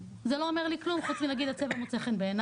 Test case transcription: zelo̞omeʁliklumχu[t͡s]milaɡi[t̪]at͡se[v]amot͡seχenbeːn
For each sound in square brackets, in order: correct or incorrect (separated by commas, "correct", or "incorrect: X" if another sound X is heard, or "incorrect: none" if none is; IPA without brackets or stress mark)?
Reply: correct, incorrect: d̪, correct